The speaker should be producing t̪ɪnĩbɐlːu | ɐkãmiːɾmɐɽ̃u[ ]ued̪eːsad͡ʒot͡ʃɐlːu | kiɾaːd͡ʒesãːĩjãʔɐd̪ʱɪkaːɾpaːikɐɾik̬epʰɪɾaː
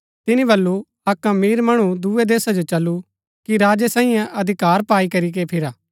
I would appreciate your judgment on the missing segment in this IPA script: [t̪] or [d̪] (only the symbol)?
d̪